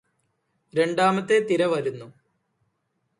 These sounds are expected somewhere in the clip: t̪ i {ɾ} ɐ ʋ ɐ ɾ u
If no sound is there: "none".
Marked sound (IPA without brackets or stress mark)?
ɾ